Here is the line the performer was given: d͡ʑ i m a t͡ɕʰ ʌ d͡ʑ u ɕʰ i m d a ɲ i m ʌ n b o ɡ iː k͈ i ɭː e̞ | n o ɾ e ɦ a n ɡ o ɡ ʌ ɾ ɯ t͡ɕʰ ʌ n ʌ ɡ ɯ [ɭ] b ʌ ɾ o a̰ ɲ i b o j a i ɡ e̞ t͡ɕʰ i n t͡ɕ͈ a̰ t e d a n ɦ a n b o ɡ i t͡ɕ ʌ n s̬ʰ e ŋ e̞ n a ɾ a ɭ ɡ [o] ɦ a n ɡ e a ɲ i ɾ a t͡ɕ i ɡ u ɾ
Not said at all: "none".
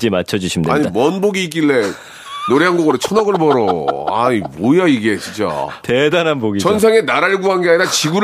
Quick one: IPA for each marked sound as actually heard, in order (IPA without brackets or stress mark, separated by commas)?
ɭ, u